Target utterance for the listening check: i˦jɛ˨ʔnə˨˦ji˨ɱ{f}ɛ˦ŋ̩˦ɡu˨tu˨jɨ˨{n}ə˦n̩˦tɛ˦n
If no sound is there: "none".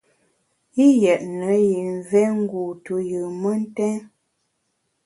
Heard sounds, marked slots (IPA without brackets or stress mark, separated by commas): v, m